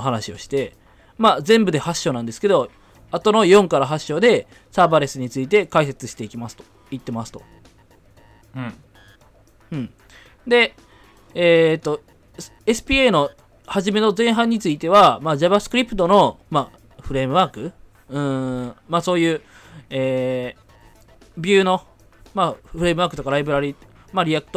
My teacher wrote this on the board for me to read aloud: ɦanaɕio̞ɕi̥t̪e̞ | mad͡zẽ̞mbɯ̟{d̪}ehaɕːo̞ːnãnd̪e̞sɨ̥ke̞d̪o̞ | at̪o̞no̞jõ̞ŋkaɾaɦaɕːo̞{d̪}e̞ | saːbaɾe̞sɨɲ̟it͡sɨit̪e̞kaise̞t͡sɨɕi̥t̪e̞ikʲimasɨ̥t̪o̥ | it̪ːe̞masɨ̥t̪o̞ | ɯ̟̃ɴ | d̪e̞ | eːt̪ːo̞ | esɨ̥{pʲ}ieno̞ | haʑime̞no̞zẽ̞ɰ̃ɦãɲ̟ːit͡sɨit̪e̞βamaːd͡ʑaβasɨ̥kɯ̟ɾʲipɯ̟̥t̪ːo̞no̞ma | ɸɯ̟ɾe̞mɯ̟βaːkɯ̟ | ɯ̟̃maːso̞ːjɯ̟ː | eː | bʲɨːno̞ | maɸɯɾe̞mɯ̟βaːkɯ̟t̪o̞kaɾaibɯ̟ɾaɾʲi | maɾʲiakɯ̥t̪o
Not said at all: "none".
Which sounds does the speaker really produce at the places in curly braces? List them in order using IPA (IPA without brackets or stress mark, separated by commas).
d̪, d̪, pʲ